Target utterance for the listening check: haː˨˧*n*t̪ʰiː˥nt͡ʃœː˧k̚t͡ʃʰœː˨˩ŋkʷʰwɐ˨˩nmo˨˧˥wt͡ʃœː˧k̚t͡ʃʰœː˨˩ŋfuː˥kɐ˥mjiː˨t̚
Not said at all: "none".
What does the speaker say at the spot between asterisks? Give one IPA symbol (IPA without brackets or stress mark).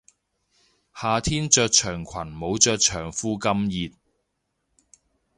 none